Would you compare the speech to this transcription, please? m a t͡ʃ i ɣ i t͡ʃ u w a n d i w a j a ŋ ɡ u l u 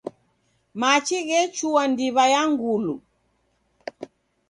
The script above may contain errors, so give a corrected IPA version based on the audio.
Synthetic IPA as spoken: m a t͡ʃ i ɣ ɛ t͡ʃ u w a n d i β a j a ŋ ɡ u l u